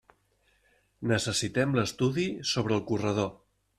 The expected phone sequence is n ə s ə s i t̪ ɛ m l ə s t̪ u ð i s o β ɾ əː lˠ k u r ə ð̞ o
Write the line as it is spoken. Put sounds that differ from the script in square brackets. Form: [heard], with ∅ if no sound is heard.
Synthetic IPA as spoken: n ə s ə s i t̪ ɛ m l ə s t̪ u ð i s o β ɾ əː lˠ k u r ə ð̞ o